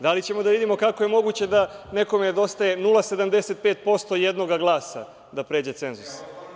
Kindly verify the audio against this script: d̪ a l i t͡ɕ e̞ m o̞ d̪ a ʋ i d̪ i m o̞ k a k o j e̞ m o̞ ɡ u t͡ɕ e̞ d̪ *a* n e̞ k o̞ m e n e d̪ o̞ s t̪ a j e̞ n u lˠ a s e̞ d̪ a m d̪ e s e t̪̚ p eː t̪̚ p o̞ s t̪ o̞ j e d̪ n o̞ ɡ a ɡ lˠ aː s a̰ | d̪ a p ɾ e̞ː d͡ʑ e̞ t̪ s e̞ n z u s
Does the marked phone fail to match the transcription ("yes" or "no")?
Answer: no